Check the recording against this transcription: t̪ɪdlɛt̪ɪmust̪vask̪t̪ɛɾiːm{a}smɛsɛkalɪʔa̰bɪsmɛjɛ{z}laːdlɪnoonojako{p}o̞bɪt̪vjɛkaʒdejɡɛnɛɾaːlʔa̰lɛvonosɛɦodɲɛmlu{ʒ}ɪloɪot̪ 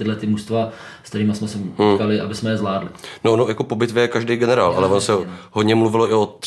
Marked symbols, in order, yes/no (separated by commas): yes, yes, yes, no